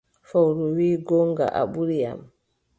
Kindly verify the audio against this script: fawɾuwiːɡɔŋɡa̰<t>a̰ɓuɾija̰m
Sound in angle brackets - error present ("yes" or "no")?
yes